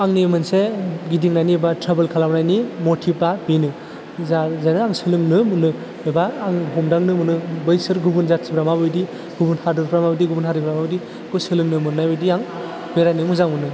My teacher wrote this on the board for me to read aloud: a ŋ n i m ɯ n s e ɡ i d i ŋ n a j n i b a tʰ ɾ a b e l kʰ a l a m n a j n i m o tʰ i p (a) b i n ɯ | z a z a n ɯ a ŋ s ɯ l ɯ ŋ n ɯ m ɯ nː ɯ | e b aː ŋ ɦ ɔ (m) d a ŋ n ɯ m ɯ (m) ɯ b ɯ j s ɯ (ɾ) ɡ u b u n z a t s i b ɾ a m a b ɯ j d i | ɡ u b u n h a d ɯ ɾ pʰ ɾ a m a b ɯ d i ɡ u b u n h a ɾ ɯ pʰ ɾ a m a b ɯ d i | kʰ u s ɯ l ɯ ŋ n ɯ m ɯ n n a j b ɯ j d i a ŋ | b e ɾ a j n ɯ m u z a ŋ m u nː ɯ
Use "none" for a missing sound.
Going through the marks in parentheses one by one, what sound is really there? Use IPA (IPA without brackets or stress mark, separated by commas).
a, m, n, ɾ